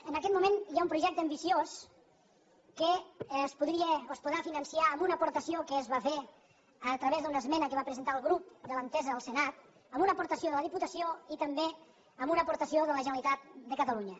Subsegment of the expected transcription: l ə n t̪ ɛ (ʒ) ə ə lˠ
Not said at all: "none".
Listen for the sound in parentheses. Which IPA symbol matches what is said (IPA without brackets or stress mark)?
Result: z